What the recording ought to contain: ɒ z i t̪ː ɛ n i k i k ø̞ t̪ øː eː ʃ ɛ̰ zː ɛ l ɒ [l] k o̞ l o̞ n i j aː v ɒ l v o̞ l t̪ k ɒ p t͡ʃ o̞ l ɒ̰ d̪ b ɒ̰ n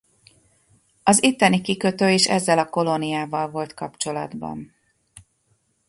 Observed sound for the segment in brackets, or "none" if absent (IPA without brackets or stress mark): none